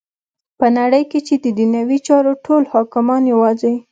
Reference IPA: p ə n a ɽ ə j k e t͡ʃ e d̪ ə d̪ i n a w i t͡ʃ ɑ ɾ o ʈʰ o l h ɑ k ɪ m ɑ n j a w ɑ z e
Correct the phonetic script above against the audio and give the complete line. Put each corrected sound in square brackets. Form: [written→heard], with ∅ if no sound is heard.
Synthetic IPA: p ə n a ɽ ə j k e t͡ʃ e d̪ ə d̪ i n a w i t͡ʃ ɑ ɾ o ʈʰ o l h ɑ k ɪ m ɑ n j a w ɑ z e